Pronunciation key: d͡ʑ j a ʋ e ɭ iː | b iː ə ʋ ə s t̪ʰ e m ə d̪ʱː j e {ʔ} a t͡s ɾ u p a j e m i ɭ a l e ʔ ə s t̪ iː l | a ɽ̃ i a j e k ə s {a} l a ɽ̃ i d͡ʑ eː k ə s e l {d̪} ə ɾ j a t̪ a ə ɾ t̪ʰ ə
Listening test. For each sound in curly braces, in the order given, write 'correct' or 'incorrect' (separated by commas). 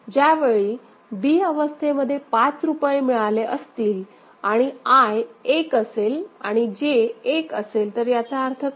incorrect, incorrect, incorrect